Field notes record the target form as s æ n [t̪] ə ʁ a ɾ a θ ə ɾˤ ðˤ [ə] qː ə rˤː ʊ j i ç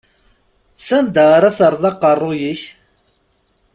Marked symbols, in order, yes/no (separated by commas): no, no